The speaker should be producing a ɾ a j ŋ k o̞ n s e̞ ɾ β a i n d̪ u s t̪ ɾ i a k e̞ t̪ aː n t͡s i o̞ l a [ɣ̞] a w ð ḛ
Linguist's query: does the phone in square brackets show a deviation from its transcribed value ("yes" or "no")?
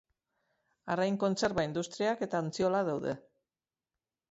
yes